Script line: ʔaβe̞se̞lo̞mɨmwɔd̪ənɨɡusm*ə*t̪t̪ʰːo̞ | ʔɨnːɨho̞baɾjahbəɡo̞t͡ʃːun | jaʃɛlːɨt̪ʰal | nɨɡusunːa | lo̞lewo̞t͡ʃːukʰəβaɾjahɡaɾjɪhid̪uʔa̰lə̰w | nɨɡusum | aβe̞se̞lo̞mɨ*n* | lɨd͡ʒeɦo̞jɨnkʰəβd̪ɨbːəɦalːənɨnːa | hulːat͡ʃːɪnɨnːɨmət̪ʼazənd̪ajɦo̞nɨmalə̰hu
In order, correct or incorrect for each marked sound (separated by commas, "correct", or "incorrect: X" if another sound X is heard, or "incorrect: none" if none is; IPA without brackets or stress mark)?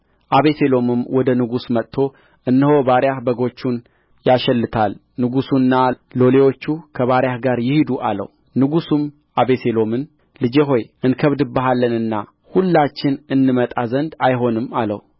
correct, correct